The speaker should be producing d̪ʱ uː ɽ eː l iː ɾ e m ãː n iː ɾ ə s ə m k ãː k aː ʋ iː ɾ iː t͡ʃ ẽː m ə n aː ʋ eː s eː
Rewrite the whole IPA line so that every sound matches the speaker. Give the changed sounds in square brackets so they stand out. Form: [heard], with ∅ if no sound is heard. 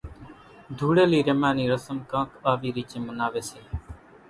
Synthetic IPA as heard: d̪ʱ uː ɽ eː l iː ɾ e m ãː n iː ɾ ə s ə m k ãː k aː ʋ iː ɾ iː t͡ʃ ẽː m ə n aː ʋ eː s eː